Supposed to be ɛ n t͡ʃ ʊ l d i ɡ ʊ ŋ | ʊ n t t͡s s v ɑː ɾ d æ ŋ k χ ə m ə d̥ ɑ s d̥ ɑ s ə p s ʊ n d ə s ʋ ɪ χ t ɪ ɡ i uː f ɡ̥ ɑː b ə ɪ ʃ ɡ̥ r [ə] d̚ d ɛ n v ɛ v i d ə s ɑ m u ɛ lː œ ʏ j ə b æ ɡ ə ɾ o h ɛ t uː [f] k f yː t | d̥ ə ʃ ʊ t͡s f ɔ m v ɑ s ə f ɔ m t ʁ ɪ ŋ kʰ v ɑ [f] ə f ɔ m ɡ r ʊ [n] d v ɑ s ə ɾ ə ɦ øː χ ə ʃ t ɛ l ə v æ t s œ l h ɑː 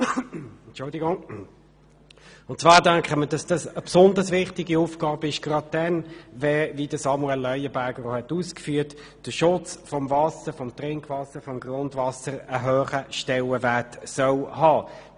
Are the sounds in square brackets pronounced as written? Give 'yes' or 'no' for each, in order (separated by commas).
no, no, no, yes